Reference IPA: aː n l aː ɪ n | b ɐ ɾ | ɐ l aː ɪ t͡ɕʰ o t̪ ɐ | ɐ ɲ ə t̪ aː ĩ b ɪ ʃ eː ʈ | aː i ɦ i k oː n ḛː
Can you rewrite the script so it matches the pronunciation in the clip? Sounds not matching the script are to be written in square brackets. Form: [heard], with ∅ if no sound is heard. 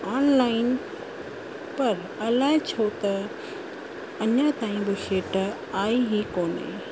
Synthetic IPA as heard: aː n l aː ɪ n | [p] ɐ ɾ | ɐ l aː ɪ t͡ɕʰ o t̪ ɐ | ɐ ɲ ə t̪ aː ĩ b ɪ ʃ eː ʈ | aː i ɦ i k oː n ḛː